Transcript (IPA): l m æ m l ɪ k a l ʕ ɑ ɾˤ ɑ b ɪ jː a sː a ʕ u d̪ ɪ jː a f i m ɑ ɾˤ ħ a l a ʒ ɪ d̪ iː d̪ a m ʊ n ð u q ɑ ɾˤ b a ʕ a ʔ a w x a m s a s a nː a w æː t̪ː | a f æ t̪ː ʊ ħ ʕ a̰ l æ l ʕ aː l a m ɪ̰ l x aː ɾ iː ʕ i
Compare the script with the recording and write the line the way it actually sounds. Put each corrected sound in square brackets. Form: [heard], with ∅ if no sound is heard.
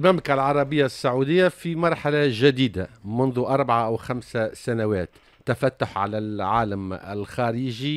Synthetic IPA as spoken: l m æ m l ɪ k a l ʕ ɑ ɾˤ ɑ b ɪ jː a sː a ʕ u d̪ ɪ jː a f i m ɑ ɾˤ ħ a l a ʒ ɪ d̪ iː d̪ a m ʊ n ð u [ʔ] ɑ ɾˤ b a ʕ a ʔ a w x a m s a s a [n] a w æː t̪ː | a f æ t̪ː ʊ ħ ʕ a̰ l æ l ʕ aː l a m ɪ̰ l x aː ɾ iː [ʒ] i